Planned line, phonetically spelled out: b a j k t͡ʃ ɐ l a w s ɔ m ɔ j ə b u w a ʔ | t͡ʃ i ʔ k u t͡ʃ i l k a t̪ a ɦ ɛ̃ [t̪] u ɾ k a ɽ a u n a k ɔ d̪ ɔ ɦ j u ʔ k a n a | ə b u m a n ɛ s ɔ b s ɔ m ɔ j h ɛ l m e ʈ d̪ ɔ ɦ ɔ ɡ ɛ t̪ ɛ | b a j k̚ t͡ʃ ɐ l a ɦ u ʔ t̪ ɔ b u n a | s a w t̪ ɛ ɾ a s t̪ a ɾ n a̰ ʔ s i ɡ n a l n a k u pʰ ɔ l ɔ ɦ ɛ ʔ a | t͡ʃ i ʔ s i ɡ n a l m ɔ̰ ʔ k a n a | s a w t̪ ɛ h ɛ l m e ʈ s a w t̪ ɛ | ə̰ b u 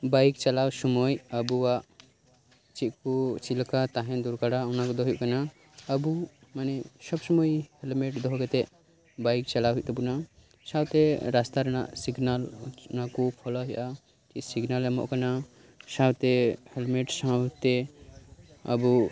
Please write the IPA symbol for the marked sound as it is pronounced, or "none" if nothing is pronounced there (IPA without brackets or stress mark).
d̪